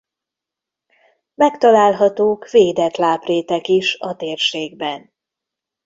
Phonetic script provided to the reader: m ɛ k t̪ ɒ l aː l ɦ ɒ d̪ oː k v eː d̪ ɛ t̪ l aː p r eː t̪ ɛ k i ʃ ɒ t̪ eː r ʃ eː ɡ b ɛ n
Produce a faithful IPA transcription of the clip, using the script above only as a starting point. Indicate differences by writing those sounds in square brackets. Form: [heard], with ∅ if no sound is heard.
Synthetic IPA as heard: m ɛ k t̪ ɒ l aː l ɦ ɒ [t̪] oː k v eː d̪ ɛ t̪ l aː p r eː t̪ ɛ k i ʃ ɒ t̪ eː r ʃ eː ɡ b ɛ n